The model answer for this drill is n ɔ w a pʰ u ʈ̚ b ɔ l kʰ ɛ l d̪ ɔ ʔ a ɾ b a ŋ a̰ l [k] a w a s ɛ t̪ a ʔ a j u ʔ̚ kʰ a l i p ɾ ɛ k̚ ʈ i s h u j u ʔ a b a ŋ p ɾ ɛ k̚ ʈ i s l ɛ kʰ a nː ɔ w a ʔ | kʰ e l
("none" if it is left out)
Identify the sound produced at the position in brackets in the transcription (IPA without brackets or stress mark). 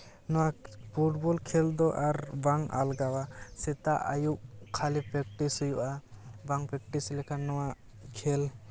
ɡ